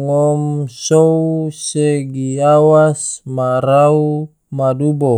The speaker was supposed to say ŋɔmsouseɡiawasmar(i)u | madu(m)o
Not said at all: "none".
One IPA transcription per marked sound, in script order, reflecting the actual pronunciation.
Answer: a, b

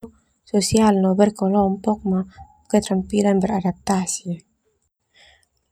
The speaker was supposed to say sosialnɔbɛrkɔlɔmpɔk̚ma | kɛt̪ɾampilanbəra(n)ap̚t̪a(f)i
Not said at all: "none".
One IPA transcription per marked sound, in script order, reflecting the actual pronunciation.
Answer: d, s

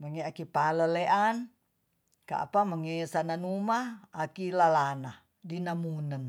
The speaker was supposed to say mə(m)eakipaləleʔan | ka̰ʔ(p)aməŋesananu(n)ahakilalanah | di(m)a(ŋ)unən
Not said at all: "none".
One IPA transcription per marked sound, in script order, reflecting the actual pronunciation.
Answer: ŋ, p, m, n, m

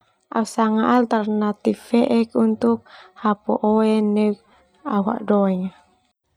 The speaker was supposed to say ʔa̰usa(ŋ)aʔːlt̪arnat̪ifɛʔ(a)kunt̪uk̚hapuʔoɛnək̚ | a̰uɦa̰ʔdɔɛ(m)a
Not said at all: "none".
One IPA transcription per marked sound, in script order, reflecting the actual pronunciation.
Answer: ŋ, ɛ, ŋ

